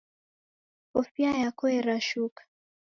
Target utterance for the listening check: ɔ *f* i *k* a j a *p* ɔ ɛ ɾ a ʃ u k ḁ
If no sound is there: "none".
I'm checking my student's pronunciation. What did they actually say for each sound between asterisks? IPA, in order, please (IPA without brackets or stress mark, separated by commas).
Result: f, none, k